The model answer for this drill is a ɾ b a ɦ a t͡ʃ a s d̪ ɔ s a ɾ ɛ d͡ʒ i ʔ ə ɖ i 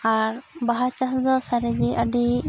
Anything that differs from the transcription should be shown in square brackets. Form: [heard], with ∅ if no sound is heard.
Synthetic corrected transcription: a ɾ b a ɦ a t͡ʃ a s d̪ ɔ s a ɾ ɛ d͡ʒ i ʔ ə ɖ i

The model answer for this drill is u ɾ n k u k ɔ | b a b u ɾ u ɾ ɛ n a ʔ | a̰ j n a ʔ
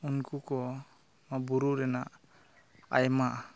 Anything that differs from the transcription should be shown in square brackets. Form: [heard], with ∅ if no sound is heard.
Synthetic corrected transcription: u [∅] n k u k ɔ | [m] a b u ɾ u ɾ ɛ n a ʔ | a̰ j [m] a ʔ

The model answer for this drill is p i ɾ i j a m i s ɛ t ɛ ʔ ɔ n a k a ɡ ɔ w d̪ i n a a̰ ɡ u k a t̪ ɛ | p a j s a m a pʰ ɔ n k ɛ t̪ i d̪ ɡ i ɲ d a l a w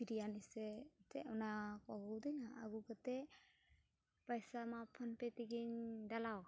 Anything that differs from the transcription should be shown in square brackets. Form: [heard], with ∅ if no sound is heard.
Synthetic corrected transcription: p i ɾ i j a [n] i s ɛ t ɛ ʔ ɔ n a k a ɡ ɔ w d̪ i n a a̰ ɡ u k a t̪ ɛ | p a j s a m a pʰ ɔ n [p] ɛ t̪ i [∅] ɡ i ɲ d a l a w

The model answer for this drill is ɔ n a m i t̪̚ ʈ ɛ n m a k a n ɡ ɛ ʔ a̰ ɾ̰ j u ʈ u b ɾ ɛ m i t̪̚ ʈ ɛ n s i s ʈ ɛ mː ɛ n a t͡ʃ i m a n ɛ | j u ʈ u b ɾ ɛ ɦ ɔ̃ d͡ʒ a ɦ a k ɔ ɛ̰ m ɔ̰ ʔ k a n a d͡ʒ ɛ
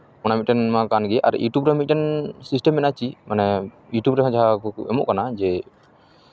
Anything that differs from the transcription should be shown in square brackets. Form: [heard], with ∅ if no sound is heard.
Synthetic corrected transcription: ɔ n a m i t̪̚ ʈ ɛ n m a k a n ɡ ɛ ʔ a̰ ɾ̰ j u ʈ u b ɾ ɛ m i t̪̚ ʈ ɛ n s i s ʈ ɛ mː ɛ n a t͡ʃ i m a n ɛ | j u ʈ u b ɾ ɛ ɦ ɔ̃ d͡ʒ a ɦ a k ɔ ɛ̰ m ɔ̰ ʔ k a n a d͡ʒ ɛ

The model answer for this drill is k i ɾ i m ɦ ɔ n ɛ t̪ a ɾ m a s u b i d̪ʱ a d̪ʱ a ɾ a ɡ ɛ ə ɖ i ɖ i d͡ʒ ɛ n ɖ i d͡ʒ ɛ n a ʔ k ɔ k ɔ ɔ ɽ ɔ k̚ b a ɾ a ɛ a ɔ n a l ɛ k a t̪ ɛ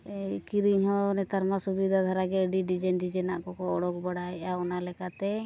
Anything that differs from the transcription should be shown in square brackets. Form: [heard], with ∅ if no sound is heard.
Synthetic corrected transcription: k i ɾ i [ɲ] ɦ ɔ n ɛ t̪ a ɾ m a s u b i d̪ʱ a d̪ʱ a ɾ a ɡ ɛ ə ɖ i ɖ i d͡ʒ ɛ n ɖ i d͡ʒ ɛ n a ʔ k ɔ k ɔ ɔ ɽ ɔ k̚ b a [ɽ] a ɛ a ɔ n a l ɛ k a t̪ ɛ

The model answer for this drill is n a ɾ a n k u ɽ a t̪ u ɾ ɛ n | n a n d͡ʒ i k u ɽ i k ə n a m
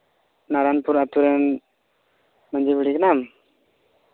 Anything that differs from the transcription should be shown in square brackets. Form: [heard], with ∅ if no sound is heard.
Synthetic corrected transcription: n a ɾ a n [p] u [ɾ] a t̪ u ɾ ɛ n | [m] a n d͡ʒ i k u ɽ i k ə n a m

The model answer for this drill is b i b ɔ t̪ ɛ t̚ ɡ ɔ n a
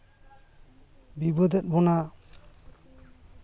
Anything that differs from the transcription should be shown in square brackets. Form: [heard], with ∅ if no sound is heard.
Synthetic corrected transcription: b i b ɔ [d̪] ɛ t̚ [b] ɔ n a

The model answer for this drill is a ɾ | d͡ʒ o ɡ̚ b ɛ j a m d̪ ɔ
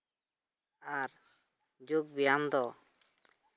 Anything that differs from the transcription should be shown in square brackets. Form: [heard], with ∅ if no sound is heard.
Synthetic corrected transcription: a ɾ | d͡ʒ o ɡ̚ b [i] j a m d̪ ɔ

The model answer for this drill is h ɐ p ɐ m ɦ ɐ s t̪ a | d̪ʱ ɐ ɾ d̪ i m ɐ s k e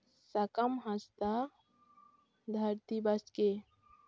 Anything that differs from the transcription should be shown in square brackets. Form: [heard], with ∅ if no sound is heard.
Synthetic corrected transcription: [s] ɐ [k] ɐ m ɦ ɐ s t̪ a | d̪ʱ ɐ ɾ [t̪] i [b] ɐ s k e

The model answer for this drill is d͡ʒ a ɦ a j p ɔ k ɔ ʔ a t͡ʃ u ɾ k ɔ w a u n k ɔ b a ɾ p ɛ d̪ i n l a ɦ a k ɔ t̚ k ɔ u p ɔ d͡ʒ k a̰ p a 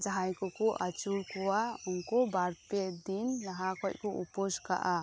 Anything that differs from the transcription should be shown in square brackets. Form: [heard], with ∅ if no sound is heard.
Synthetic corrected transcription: d͡ʒ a ɦ a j [k] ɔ k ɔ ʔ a t͡ʃ u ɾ k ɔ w a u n k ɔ b a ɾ p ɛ d̪ i n l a ɦ a k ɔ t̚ k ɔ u p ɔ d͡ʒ k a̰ [ʔ] a

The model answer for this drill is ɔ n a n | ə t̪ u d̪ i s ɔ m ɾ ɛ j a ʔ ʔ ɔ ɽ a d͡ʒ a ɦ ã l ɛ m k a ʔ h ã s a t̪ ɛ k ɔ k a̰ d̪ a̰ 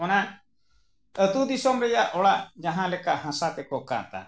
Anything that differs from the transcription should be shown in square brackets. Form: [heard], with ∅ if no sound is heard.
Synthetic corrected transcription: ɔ n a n | ə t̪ u d̪ i s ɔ m ɾ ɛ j a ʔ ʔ ɔ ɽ a d͡ʒ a ɦ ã l ɛ [∅] k a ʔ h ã s a t̪ ɛ k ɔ k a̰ [t̪] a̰

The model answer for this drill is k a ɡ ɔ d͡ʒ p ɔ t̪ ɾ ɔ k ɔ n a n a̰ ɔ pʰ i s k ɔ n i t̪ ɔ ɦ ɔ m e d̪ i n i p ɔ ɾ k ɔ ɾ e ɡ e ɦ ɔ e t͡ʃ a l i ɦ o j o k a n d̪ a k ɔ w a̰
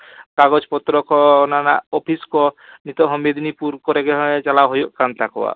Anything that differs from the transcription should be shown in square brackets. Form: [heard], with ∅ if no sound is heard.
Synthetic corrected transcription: k a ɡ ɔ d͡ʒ p ɔ t̪ ɾ ɔ k ɔ n a n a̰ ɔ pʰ i s k ɔ n i t̪ ɔ ɦ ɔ m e d̪ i n i p [u] ɾ k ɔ ɾ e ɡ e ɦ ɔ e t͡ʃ a l [a] ɦ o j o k a n [t̪] a k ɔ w a̰

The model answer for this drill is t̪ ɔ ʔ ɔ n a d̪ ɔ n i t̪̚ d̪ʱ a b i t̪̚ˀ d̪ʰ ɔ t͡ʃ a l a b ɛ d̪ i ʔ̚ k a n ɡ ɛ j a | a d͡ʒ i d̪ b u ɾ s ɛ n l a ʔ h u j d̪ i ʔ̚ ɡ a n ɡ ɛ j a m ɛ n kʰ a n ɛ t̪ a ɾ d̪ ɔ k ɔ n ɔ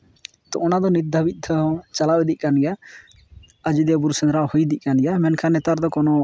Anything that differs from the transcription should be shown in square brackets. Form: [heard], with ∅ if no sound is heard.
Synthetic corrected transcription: t̪ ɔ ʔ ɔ n a d̪ ɔ n i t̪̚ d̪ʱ a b i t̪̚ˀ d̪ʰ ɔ t͡ʃ a l a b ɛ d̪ i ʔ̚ k a n ɡ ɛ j a | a d͡ʒ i d̪ b u ɾ s ɛ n [ɾ] a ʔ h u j d̪ i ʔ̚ [k] a n ɡ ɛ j a m ɛ n kʰ a n ɛ t̪ a ɾ d̪ ɔ k ɔ n ɔ

